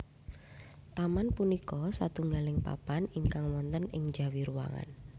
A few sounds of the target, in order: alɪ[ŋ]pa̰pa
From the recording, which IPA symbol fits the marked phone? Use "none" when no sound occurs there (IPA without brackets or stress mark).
ŋ